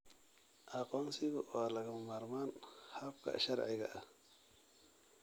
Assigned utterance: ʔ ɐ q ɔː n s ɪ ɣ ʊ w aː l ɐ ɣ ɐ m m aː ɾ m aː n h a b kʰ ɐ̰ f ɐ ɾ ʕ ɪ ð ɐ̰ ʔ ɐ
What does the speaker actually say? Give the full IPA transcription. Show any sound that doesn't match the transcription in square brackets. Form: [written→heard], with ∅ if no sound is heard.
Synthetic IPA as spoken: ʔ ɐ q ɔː n s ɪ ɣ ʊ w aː l ɐ ɣ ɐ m m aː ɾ m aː n h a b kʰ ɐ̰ [f→ʃ] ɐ ɾ ʕ ɪ [ð→ɣ] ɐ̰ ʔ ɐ